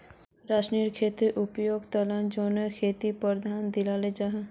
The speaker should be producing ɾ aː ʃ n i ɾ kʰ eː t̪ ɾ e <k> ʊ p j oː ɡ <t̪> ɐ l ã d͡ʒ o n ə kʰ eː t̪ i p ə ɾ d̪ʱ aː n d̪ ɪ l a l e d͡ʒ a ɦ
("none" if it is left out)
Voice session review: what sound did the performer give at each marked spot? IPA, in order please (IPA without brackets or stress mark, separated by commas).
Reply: ʔ, t̪